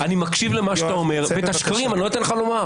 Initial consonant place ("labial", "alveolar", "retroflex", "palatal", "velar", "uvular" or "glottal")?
alveolar